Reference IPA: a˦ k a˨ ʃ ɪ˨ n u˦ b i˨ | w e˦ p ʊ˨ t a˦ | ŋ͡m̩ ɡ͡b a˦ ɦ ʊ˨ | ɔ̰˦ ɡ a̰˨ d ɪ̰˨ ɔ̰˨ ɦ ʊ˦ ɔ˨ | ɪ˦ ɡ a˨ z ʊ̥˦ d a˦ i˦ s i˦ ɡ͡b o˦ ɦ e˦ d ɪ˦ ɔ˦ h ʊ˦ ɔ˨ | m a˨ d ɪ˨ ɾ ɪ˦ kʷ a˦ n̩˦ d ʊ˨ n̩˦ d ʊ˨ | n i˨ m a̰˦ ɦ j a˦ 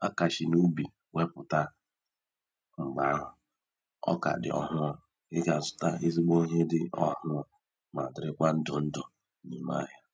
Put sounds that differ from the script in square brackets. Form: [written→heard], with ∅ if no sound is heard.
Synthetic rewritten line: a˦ k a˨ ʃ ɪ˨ n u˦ b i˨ | w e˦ p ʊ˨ t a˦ | ŋ͡m̩ ɡ͡b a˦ ɦ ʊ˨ | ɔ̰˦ [ɡ→k] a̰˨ d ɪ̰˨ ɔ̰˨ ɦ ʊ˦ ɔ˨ | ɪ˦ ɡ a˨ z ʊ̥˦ [d→t] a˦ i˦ [s→z] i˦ ɡ͡b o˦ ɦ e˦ d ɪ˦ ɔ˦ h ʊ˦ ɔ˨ | m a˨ d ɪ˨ ɾ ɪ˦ kʷ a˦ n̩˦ d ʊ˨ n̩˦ d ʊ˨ | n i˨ m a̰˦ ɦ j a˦